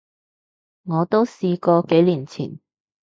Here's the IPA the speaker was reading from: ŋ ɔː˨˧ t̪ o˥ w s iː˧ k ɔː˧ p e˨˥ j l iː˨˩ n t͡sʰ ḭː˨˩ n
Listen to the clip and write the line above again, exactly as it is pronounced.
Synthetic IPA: ŋ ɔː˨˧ t̪ o˥ w s iː˧ k ɔː˧ k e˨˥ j l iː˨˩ n t͡sʰ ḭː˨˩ n